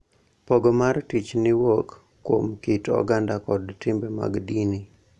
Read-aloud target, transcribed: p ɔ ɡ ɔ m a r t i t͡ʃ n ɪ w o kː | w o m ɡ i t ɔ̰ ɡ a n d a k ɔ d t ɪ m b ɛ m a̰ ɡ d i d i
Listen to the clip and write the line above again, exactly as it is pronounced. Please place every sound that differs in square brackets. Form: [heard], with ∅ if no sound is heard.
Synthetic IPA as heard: p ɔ ɡ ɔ m a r t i t͡ʃ n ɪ w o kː | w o m [k] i t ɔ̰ ɡ a n d a k ɔ d t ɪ m b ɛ m a̰ ɡ d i [n] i